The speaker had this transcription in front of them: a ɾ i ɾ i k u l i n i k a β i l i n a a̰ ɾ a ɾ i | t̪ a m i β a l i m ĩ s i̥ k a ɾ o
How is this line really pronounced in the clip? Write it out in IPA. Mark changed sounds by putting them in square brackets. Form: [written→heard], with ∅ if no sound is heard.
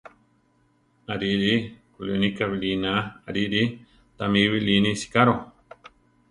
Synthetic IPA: a ɾ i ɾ i k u l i n i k a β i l i n a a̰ ɾ [a→i] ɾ i | t̪ a m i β [a→i] l i [m→n] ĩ s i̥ k a ɾ o